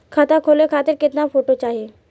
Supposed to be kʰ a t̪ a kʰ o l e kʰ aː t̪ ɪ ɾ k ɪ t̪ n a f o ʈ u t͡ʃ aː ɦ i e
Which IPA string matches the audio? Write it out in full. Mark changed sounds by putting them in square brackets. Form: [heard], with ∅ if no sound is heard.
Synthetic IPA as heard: kʰ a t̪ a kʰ o l e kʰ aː t̪ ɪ ɾ k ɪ t̪ n a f o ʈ [o] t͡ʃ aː ɦ i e